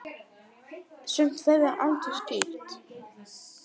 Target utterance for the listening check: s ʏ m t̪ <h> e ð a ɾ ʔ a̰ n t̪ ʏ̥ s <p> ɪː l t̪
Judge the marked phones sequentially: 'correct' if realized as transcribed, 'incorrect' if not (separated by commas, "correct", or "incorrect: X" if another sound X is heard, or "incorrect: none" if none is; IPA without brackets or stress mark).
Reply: incorrect: θ, incorrect: c